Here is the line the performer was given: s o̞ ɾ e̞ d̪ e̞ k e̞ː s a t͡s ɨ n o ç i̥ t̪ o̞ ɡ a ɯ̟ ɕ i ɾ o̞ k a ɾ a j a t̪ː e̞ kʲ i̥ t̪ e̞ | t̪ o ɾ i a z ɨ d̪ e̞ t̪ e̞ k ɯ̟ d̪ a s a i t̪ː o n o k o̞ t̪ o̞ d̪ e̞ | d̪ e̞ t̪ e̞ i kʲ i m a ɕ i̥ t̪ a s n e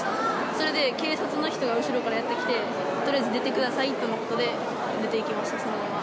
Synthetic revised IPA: s o̞ ɾ e̞ d̪ e̞ k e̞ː s a t͡s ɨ n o ç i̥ t̪ o̞ ɡ a ɯ̟ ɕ i ɾ o̞ k a ɾ a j a t̪ː e̞ kʲ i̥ t̪ e̞ | t̪ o ɾ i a z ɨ d̪ e̞ t̪ e̞ k ɯ̟ d̪ a s a i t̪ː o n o k o̞ t̪ o̞ d̪ e̞ | d̪ e̞ t̪ e̞ i kʲ i m a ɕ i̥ t̪ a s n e